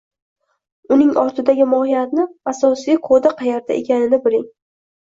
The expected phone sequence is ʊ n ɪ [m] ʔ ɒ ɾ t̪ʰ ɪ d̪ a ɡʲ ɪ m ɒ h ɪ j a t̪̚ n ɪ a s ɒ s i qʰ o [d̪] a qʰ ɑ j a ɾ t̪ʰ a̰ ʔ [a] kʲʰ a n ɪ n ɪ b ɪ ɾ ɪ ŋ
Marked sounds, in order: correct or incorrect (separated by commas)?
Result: incorrect, correct, incorrect